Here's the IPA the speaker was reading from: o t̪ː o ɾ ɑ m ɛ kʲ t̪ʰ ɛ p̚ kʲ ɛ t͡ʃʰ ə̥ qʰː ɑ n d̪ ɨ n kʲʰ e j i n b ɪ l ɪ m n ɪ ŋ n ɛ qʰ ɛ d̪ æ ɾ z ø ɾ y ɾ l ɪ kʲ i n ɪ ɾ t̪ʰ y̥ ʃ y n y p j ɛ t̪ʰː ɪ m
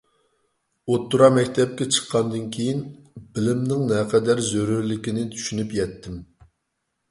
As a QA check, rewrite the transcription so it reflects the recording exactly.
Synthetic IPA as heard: o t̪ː u ɾ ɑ m ɛ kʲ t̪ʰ ɛ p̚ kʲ ɛ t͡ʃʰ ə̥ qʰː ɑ n d̪ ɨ n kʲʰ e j i n b ɪ l ɪ m n ɪ ŋ n ɛ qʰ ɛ d̪ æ ɾ z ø ɾ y ɾ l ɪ kʲ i n ɪ t̪ʰ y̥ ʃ y n y p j ɛ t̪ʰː ɪ m